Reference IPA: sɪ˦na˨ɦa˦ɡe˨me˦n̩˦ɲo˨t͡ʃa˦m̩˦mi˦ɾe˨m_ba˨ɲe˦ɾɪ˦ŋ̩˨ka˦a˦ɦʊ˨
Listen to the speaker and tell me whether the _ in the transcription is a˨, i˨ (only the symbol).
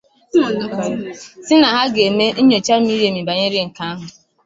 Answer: i˨